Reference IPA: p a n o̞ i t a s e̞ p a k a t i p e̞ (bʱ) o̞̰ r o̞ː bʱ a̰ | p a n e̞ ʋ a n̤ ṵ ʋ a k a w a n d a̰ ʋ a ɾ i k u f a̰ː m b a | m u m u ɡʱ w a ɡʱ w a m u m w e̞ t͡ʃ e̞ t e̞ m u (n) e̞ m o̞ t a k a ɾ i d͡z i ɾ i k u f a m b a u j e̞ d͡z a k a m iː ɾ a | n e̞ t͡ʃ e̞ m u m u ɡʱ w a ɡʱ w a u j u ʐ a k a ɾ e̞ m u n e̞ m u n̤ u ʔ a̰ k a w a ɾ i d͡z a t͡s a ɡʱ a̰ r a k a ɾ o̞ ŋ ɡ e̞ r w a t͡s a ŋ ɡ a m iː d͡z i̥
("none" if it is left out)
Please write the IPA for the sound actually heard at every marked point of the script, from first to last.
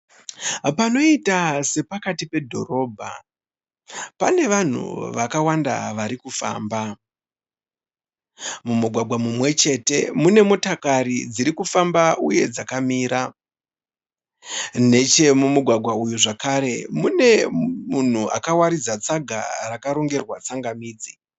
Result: dʱ, n

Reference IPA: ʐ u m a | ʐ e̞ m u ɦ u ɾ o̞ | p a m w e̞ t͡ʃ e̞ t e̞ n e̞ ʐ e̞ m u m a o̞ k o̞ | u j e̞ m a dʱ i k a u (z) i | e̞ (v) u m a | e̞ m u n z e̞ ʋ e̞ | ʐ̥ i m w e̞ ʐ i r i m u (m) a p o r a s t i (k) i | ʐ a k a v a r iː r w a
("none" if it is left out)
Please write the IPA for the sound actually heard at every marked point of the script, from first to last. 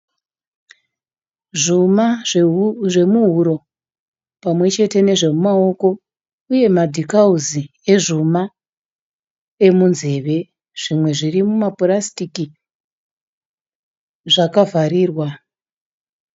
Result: z, ʐ, m, k

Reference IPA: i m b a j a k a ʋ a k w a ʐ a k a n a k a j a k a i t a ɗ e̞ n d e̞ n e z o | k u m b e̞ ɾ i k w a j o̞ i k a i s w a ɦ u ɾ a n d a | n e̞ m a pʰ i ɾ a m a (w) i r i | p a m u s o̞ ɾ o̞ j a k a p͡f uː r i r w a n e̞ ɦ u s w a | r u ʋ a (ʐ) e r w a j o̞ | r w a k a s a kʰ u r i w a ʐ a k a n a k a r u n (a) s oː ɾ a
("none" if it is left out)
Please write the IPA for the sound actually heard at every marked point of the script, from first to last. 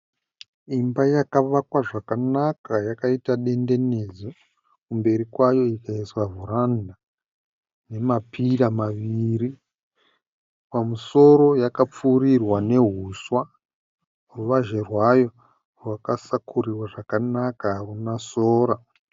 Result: ʋ, ʒ, a

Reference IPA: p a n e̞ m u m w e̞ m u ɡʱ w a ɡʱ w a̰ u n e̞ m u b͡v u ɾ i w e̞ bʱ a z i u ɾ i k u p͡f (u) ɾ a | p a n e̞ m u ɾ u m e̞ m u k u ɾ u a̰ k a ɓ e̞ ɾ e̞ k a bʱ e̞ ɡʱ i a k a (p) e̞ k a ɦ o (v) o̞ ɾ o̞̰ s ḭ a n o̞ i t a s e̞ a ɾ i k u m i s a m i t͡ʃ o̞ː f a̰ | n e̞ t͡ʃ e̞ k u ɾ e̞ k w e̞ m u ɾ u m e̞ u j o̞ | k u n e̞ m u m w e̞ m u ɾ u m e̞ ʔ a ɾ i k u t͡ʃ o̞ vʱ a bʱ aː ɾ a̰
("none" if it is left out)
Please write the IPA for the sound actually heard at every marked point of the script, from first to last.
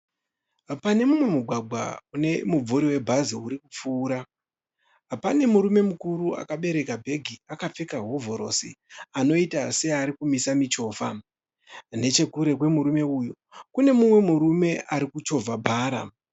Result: uː, p͡f, v

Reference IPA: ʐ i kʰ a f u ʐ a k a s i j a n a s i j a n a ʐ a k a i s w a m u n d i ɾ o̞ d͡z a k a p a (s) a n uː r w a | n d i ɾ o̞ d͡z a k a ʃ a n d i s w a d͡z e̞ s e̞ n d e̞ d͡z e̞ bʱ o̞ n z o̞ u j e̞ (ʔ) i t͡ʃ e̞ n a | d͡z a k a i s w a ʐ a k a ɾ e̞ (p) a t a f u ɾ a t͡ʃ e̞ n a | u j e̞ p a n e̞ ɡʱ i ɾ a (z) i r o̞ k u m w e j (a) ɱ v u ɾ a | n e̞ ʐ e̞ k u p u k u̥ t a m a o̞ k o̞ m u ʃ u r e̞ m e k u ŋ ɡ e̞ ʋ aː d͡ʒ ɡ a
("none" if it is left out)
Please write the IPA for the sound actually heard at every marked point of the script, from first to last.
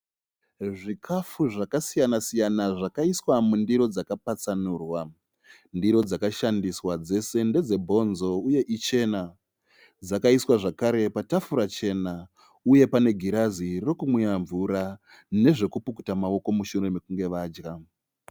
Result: t͡s, ʔ, p, z, a

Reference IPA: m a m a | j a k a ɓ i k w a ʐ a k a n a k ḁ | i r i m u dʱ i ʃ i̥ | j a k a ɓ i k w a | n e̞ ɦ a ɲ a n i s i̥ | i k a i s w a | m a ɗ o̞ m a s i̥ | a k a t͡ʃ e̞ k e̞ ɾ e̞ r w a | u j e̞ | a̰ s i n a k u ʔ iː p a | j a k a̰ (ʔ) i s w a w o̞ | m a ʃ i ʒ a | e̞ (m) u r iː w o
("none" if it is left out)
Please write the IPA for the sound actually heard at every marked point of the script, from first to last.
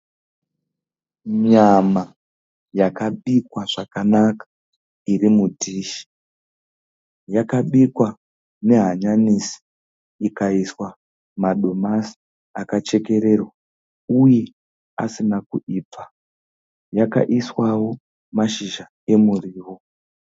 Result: ʔ, m

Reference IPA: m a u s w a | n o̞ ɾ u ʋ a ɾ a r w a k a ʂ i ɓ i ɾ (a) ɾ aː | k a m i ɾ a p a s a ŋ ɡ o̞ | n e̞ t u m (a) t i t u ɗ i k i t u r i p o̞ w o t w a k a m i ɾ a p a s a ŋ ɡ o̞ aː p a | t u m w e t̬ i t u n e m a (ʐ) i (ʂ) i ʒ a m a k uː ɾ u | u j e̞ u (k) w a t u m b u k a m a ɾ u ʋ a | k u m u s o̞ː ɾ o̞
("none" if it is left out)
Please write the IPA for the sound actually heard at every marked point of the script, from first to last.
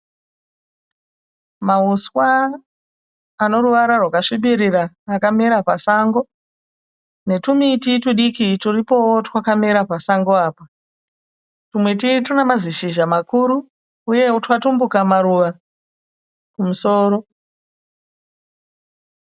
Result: i, i, z, ʃ, t

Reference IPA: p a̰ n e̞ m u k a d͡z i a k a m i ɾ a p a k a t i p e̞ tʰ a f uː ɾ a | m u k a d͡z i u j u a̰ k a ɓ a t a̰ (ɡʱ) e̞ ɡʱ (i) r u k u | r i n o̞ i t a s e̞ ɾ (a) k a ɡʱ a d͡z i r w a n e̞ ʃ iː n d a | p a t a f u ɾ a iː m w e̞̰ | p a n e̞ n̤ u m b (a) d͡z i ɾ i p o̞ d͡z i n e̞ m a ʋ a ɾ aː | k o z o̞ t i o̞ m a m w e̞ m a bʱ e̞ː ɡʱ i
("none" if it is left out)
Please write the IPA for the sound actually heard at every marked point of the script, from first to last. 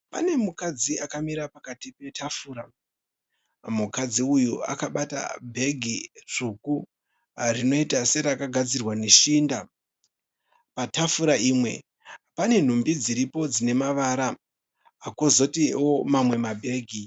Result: bʱ, i, a, i

